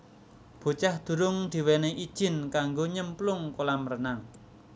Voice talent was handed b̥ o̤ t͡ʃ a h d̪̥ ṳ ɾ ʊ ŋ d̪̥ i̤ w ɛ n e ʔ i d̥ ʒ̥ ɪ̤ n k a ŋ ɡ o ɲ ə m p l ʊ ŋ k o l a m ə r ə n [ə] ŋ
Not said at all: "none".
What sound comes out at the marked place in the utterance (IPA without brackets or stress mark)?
a